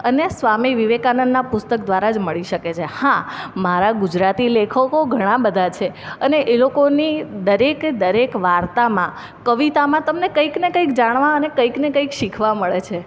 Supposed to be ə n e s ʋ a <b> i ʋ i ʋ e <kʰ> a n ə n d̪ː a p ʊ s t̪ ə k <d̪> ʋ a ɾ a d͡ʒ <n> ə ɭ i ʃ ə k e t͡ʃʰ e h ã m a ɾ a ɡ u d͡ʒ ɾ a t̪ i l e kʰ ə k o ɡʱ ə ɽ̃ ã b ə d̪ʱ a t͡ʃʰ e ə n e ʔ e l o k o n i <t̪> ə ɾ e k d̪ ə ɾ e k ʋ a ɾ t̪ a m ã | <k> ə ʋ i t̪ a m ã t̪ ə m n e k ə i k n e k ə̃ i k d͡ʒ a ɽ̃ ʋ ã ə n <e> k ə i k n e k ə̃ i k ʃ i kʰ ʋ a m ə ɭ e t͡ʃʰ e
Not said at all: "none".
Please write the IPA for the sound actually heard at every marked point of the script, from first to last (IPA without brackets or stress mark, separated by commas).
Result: m, k, d̪, m, d̪, k, e